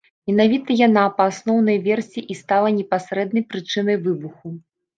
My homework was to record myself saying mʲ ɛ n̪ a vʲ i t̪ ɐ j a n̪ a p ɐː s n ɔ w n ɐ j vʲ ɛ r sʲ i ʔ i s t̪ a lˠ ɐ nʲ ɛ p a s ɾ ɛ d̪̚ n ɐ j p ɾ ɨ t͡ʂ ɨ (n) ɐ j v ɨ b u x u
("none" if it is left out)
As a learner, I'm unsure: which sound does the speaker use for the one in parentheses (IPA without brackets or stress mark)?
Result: n